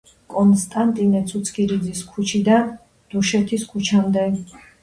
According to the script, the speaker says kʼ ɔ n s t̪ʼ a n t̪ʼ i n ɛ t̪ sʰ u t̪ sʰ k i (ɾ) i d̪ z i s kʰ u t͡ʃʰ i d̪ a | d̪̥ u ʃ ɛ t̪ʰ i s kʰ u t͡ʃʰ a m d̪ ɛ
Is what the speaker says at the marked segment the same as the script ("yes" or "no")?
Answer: yes